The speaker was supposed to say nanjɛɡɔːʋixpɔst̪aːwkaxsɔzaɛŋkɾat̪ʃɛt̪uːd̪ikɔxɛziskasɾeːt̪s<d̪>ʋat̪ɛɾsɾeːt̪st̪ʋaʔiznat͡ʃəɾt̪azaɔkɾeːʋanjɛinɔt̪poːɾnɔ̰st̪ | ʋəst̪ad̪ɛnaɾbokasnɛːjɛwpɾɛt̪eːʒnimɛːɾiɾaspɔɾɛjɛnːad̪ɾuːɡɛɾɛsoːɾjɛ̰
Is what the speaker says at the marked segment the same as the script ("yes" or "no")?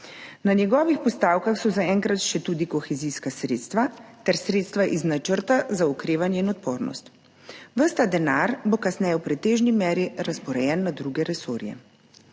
no